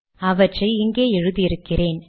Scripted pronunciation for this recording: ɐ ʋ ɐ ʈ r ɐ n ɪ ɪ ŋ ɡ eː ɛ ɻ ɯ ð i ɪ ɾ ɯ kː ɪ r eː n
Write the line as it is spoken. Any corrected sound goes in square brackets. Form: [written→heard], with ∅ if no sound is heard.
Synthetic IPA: ɐ ʋ ɐ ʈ r ɐ [n→∅] ɪ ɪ ŋ ɡ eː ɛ ɻ ɯ ð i ɪ ɾ ɯ kː ɪ r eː n